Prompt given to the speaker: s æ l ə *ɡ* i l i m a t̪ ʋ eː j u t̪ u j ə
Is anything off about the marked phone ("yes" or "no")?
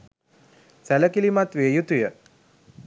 yes